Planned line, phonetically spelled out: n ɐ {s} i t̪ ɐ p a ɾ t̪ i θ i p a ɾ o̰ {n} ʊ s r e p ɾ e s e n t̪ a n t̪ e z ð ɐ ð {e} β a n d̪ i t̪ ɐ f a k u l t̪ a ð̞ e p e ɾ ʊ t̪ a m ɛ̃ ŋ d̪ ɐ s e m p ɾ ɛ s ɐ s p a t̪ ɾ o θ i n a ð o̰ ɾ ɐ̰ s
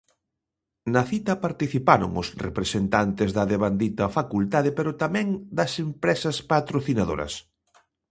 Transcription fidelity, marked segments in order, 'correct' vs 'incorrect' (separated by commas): incorrect, incorrect, correct